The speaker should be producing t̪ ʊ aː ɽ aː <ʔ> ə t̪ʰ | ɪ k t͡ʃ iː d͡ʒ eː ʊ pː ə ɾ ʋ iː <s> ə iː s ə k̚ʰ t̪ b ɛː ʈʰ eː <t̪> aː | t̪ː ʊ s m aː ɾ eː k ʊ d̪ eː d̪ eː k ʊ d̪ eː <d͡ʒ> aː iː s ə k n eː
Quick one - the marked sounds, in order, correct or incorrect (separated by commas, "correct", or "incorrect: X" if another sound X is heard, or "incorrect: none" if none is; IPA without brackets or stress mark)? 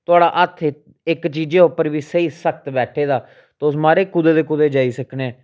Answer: correct, correct, incorrect: d̪, correct